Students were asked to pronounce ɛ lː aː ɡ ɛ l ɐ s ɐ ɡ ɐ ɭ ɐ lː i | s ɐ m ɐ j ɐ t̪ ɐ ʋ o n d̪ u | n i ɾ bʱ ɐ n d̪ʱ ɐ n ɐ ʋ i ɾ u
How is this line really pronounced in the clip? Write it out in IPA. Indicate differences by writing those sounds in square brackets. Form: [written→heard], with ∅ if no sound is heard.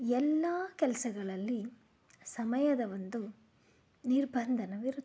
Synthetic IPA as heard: ɛ lː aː [ɡ→k] ɛ l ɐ s ɐ ɡ ɐ ɭ ɐ lː i | s ɐ m ɐ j ɐ [t̪→d̪] ɐ ʋ o n d̪ u | n i ɾ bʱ ɐ n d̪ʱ ɐ n ɐ ʋ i ɾ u